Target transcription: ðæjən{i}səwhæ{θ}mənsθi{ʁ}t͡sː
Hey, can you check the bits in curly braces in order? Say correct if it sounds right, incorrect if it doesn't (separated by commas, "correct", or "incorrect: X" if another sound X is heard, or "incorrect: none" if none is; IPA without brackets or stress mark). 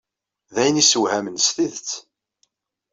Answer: correct, incorrect: none, incorrect: ð